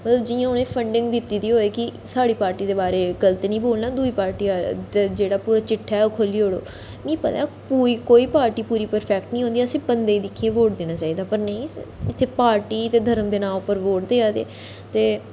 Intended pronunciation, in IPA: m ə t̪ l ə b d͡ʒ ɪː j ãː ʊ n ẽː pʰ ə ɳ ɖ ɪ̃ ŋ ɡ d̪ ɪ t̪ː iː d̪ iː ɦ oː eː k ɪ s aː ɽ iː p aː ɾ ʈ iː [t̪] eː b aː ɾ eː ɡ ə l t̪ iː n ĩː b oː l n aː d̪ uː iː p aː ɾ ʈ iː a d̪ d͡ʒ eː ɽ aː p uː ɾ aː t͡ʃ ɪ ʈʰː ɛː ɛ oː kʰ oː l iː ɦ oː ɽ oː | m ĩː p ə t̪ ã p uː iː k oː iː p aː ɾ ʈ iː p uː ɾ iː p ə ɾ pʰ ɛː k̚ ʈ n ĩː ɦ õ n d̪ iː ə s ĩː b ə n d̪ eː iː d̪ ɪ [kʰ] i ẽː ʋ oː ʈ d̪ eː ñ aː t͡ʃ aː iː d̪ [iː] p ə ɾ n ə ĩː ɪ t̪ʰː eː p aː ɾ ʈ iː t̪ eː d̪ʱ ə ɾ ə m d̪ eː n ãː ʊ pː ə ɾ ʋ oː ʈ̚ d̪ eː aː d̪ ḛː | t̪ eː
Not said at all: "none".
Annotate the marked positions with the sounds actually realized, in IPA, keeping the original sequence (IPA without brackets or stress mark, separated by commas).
d̪, kʰ, aː